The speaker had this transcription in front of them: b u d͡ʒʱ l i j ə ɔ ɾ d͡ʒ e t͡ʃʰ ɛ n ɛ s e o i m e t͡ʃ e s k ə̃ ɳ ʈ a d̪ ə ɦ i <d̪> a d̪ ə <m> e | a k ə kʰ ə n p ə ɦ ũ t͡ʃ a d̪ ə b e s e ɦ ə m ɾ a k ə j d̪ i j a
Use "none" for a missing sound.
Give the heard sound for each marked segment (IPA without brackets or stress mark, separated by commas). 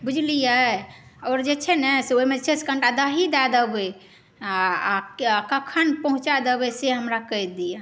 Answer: d̪, b